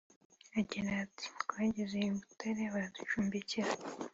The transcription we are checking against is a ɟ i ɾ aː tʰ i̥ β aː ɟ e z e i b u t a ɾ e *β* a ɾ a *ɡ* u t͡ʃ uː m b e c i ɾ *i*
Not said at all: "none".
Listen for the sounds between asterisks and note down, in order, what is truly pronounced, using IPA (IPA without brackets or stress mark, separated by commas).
β, d, a